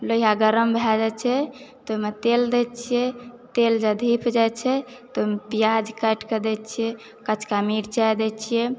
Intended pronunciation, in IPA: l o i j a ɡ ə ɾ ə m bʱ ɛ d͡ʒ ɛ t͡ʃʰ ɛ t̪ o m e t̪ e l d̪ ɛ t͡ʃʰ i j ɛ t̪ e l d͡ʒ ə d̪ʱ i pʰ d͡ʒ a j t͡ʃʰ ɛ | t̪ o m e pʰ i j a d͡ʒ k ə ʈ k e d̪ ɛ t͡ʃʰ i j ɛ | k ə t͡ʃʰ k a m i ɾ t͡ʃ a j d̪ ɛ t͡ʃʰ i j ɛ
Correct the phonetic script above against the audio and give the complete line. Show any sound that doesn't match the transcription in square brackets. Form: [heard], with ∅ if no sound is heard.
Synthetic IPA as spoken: l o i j a ɡ ə ɾ ə m bʱ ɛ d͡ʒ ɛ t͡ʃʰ ɛ t̪ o m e t̪ e l d̪ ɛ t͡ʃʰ i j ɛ t̪ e l d͡ʒ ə d̪ʱ i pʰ d͡ʒ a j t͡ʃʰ ɛ | t̪ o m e [p] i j a d͡ʒ k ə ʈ k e d̪ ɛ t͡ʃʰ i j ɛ | k ə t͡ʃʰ k a m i ɾ t͡ʃ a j d̪ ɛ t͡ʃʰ i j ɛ

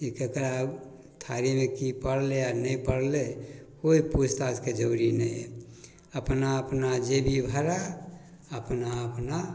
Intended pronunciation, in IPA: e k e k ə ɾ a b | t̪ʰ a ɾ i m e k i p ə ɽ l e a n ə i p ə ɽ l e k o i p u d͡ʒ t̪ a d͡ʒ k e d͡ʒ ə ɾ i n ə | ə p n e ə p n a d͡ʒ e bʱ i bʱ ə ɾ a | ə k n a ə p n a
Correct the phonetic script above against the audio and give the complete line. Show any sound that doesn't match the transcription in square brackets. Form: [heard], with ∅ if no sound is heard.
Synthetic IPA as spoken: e k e k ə ɾ a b | t̪ʰ a ɾ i m e k i p ə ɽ l e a n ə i p ə ɽ l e k o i p u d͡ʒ t̪ a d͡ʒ k e d͡ʒ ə ɾ i n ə | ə p n [a] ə p n a d͡ʒ e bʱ i bʱ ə ɾ a | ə [p] n a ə p n a

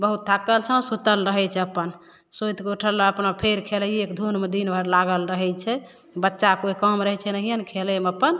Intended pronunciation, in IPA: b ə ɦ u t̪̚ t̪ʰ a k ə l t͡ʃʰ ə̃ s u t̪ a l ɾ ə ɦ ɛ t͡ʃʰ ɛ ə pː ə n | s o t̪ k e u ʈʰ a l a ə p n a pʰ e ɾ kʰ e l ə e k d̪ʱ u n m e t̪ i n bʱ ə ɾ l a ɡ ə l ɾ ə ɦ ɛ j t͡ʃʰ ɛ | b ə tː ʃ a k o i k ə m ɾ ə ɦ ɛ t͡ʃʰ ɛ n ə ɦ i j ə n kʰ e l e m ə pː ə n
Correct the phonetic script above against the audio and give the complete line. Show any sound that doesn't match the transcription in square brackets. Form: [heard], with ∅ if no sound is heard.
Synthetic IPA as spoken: b ə ɦ u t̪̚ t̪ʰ a k ə l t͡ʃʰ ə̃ s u t̪ [ə] l ɾ ə ɦ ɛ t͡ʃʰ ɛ ə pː ə n | s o t̪ k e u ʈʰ [ə] l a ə p n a pʰ e ɾ kʰ e l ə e k d̪ʱ u n m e [d̪] i n bʱ ə ɾ l a ɡ ə l ɾ ə ɦ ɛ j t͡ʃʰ ɛ | b ə tː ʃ a k o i k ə m ɾ ə ɦ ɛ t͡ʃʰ ɛ n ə ɦ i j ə n kʰ e l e m ə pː ə n

